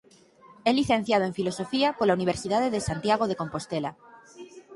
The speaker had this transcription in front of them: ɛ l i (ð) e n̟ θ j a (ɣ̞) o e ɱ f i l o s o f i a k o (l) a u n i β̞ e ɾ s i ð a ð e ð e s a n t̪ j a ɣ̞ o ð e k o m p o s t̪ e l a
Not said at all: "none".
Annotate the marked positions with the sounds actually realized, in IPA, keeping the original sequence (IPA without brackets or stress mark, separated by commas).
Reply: θ, ð̞, l